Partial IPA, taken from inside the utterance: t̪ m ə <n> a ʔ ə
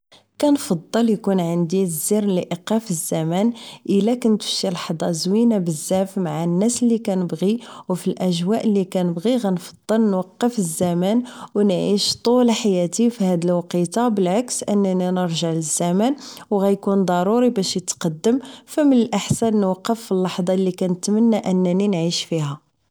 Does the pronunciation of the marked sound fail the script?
yes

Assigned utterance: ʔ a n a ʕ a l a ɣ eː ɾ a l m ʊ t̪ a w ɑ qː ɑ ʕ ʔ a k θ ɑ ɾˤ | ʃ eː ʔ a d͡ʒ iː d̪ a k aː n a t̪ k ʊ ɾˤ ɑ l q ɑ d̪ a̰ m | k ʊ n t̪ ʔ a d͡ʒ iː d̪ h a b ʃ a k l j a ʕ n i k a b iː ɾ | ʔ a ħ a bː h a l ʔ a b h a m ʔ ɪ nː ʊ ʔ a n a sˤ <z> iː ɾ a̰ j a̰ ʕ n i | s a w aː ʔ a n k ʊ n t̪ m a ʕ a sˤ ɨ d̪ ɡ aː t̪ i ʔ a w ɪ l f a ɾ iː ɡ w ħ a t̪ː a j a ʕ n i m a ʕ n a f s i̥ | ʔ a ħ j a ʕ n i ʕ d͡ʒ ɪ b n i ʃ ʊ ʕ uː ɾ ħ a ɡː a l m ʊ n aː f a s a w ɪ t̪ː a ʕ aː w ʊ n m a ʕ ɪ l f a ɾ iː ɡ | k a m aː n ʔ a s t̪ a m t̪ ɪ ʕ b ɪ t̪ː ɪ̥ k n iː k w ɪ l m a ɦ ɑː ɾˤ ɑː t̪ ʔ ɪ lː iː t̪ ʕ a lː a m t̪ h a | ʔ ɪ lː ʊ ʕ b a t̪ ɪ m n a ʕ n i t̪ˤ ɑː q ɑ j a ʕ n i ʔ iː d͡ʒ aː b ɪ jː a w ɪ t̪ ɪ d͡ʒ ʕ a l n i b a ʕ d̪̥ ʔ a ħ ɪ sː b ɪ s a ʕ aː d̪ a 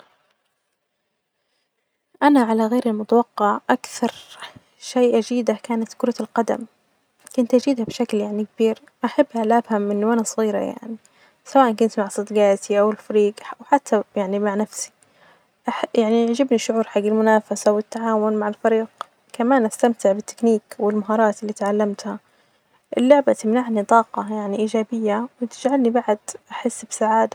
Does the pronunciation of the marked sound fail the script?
yes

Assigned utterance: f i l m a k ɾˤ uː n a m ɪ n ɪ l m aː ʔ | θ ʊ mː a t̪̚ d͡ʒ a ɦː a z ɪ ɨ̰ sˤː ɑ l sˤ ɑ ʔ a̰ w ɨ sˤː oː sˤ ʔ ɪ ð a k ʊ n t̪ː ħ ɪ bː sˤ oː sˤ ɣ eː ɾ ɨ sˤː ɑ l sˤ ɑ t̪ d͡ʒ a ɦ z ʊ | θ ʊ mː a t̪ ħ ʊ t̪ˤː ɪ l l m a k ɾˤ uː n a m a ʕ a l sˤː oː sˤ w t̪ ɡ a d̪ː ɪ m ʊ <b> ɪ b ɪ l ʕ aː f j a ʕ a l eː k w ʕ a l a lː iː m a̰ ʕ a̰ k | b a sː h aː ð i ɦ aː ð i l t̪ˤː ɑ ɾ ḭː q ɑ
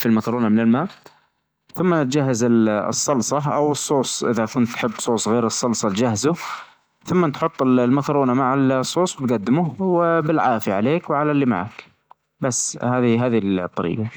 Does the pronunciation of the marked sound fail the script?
yes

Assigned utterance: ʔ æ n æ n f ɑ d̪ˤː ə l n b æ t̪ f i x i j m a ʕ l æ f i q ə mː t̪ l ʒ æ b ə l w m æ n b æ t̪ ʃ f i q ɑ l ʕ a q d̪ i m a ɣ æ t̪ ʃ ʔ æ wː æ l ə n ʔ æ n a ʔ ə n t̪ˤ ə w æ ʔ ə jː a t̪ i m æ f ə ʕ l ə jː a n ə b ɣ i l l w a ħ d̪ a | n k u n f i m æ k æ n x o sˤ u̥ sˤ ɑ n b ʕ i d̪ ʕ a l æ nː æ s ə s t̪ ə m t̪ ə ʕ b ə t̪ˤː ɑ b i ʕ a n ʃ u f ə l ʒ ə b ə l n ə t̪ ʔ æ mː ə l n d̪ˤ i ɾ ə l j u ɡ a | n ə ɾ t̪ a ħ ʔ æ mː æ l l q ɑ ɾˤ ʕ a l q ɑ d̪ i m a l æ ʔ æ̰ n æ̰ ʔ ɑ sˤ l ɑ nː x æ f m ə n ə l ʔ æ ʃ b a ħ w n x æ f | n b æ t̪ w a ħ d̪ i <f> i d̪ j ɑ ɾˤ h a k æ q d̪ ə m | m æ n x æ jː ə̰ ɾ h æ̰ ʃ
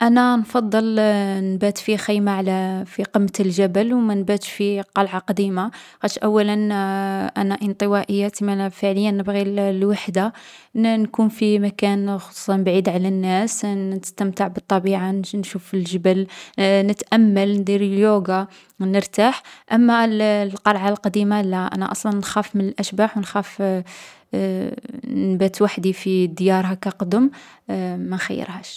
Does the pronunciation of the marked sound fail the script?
no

